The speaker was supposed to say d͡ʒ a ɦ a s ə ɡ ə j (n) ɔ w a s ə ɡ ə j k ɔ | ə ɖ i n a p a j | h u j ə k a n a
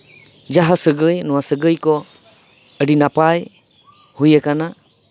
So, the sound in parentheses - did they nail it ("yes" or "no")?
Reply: yes